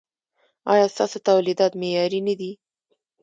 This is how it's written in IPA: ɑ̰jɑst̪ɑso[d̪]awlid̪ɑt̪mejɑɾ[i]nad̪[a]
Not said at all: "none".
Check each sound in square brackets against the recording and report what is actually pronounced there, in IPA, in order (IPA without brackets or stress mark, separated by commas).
t̪, i, i